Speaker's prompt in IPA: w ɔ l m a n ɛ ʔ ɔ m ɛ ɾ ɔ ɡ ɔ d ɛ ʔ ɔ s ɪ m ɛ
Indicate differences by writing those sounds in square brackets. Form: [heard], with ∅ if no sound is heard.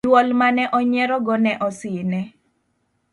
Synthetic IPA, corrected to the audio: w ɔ l m a n ɛ ʔ ɔ [ɲ] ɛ ɾ ɔ ɡ ɔ [n] ɛ ʔ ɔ s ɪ [n] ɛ